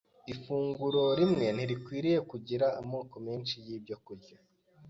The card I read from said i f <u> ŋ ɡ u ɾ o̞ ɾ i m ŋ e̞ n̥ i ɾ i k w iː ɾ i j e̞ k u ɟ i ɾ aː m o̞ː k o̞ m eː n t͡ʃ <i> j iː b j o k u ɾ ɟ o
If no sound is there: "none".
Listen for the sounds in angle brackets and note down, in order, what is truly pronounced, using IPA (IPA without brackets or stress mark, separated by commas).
uː, i